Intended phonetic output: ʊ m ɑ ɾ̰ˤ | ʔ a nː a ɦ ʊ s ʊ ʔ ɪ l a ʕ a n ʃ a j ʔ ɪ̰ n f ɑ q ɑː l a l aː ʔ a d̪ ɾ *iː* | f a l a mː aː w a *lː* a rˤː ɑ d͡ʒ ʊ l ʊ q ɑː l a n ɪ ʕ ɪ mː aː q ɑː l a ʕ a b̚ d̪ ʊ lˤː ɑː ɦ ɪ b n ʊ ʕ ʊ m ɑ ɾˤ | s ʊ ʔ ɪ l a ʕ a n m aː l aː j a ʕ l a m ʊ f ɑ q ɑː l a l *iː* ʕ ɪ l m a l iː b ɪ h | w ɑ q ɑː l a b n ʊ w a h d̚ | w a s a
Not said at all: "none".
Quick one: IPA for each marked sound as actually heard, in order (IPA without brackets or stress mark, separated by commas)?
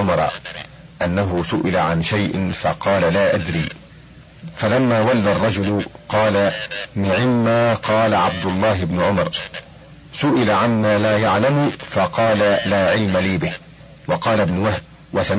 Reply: iː, lː, aː